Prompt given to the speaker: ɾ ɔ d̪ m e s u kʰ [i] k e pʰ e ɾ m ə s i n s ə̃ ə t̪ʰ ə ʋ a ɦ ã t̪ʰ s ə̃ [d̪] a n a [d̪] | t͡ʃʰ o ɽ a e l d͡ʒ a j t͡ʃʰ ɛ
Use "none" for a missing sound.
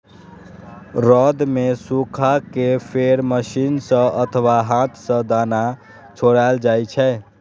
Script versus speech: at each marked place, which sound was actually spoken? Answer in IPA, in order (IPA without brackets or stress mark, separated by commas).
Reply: a, d̪, none